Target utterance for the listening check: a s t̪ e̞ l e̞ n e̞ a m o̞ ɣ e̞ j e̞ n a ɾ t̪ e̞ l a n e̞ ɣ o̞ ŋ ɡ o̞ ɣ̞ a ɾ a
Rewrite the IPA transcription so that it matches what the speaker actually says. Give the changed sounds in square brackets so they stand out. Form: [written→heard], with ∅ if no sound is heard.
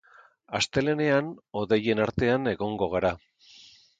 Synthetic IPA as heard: a s t̪ e̞ l e̞ n e̞ a [m→n] o̞ [ɣ→ð] e̞ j e̞ n a ɾ t̪ e̞ [l→∅] a n e̞ ɣ o̞ ŋ ɡ o̞ ɣ̞ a ɾ a